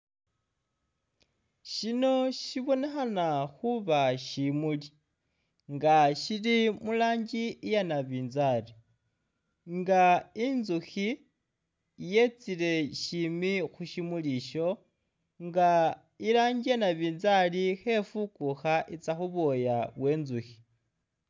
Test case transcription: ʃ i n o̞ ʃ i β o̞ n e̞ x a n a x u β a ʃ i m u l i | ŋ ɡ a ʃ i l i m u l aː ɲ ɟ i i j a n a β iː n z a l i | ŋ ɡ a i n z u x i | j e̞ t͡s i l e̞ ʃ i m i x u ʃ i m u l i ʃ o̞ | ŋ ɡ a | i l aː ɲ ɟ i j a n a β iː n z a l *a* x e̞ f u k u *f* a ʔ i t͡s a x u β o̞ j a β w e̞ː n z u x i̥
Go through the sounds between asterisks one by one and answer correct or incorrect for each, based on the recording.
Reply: incorrect: i, incorrect: x

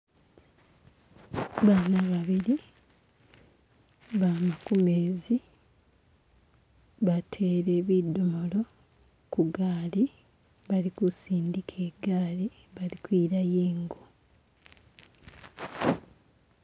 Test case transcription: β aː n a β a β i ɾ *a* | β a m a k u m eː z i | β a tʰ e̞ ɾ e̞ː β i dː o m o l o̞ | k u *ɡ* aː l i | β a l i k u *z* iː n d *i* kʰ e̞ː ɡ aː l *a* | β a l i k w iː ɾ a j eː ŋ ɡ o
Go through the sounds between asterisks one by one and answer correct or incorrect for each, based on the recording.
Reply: incorrect: i, correct, incorrect: s, correct, incorrect: i

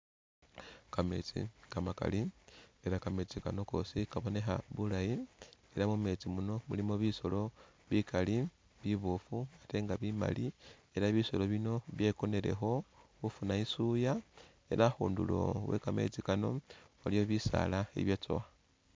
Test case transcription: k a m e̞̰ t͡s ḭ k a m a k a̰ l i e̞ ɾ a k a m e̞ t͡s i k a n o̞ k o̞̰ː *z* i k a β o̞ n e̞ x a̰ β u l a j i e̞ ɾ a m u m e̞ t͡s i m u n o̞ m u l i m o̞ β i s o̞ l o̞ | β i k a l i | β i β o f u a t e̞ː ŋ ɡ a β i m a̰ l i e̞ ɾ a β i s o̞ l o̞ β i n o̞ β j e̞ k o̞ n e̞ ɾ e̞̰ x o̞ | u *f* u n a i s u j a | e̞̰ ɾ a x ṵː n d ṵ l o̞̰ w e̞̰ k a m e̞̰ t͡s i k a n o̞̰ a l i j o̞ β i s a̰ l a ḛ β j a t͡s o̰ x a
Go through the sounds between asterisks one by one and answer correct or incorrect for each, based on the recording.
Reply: incorrect: s, correct

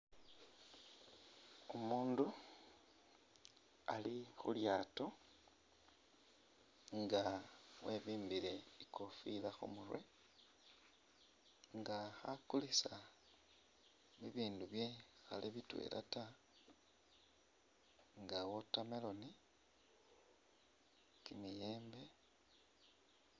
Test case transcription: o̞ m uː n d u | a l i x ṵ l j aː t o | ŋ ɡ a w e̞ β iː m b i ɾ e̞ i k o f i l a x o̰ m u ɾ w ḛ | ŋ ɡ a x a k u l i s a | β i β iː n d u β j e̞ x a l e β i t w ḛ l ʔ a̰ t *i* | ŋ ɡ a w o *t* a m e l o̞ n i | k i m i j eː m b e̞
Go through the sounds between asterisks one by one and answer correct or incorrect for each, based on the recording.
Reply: incorrect: a, correct

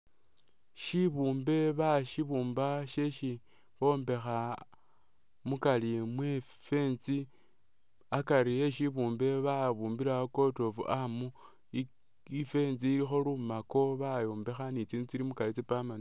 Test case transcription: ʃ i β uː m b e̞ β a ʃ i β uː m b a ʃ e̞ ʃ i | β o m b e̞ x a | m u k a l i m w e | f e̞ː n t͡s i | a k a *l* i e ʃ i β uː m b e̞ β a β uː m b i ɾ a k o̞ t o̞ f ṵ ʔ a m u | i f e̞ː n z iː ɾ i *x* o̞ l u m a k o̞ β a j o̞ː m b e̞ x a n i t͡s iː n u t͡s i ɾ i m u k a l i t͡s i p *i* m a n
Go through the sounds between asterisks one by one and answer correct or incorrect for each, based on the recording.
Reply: incorrect: ɾ, correct, incorrect: a

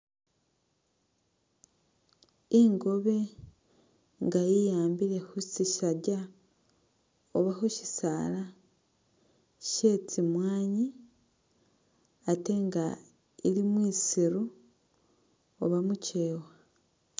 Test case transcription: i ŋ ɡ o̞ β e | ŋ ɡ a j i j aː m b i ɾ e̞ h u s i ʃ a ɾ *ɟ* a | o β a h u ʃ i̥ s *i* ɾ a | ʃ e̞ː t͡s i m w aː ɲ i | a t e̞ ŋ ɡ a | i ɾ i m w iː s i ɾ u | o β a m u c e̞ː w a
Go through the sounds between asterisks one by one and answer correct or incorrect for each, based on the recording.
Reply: correct, incorrect: a

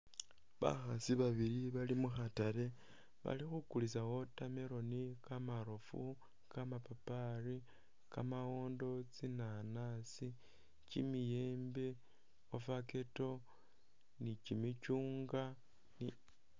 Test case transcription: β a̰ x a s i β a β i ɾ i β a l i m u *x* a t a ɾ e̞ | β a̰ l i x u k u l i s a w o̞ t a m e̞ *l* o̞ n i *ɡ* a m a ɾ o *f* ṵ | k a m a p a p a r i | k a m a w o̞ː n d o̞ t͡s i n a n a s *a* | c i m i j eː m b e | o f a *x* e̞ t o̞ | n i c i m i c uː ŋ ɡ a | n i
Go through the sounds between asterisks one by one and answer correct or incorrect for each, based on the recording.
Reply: correct, incorrect: ɾ, incorrect: k, correct, incorrect: i, incorrect: k

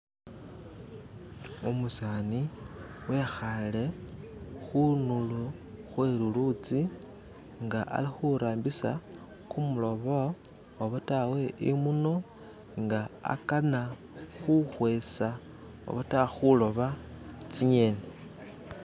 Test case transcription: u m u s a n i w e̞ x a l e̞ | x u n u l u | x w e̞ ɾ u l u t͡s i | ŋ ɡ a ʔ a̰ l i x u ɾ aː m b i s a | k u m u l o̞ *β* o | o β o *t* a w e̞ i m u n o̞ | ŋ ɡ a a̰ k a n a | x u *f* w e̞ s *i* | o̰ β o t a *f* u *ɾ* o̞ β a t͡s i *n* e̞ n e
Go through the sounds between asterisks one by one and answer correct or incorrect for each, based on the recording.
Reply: correct, correct, incorrect: x, incorrect: a, incorrect: x, incorrect: l, incorrect: ɲ

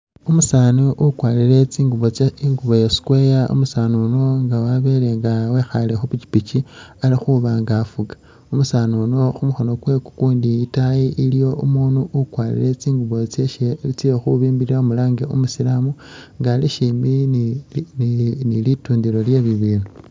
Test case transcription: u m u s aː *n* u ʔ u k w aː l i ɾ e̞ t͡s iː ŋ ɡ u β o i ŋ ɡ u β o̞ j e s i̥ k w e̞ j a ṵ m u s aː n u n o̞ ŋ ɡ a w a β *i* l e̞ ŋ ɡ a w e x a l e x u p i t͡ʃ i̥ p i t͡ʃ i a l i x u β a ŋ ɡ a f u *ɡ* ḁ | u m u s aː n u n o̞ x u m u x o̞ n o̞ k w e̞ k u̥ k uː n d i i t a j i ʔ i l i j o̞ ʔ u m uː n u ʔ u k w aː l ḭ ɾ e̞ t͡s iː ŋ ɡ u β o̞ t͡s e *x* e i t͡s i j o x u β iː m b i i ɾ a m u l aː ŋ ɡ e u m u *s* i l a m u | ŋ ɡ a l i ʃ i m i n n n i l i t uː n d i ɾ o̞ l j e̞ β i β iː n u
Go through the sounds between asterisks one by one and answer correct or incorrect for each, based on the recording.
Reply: correct, incorrect: e, correct, incorrect: ʃ, correct

